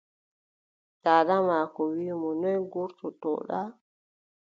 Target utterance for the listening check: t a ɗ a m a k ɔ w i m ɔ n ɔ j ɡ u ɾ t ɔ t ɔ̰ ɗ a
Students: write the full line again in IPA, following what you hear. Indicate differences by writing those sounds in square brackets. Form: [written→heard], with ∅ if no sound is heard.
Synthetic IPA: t a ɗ a m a k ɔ w i m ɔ n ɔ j ɡ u ɾ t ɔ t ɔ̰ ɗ a

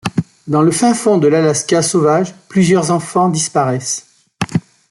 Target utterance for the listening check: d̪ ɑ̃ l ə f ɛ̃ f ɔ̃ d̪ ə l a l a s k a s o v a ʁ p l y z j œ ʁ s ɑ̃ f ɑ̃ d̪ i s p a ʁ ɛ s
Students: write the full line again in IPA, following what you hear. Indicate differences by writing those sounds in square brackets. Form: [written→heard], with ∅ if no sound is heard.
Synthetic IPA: d̪ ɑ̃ l ə f ɛ̃ f ɔ̃ d̪ ə l a l a s k a s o v a [ʁ→ʒ] p l y z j œ ʁ [s→z] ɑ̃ f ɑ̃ d̪ i s p a ʁ ɛ s

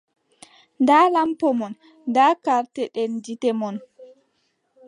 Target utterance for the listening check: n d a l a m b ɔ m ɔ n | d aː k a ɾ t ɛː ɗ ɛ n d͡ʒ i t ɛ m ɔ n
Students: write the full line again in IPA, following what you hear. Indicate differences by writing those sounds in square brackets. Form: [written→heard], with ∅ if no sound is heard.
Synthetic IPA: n d a l a m [b→p] ɔ m ɔ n | d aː k a ɾ t [ɛː→ɛ] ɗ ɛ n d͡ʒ i t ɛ m ɔ n

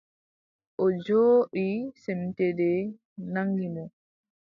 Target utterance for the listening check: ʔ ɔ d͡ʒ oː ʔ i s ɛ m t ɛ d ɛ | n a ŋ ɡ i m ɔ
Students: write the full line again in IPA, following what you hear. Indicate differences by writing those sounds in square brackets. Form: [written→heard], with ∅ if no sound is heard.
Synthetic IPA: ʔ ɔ d͡ʒ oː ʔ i s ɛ m t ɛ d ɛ | n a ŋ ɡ i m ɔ

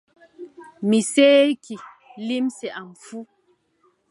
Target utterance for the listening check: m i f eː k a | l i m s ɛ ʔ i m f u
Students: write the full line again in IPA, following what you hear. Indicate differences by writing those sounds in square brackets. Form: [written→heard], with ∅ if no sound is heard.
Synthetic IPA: m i [f→s] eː k [a→i] | l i m s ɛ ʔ [i→a] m f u

